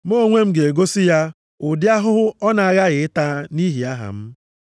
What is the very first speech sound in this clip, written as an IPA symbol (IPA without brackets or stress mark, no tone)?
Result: m